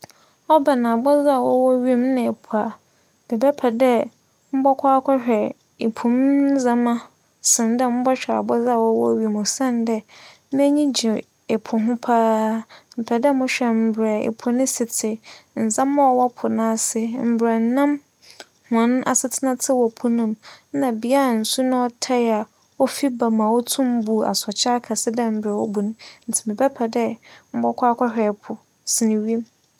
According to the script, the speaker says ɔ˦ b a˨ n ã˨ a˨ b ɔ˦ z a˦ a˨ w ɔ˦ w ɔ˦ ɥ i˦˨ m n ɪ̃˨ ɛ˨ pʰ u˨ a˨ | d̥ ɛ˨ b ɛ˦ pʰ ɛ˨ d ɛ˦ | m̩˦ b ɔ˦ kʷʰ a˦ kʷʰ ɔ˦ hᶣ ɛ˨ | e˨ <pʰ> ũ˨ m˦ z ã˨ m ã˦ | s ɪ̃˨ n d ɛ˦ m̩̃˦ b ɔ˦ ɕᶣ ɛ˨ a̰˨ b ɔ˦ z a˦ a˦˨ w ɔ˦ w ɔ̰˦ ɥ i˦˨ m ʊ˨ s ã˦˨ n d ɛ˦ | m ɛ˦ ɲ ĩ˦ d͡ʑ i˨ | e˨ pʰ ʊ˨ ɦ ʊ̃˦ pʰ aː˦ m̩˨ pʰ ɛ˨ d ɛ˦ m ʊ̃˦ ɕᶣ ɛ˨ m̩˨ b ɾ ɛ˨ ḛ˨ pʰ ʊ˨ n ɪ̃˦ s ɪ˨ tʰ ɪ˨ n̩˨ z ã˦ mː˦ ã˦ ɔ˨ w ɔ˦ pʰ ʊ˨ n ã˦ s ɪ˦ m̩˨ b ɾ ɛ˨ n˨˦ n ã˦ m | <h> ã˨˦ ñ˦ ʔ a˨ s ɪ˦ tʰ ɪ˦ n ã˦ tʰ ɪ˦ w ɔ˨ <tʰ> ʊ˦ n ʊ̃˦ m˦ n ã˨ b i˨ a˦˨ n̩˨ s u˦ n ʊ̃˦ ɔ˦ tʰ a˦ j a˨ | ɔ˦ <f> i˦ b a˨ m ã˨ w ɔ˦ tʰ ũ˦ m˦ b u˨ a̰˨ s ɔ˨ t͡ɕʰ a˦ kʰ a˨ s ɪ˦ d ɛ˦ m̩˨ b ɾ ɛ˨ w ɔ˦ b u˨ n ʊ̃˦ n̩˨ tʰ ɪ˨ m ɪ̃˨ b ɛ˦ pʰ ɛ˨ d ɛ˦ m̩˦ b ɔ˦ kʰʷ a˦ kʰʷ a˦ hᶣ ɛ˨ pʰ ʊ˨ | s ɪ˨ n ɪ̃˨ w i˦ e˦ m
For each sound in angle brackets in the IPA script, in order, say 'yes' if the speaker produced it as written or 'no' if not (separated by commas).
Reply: yes, yes, no, yes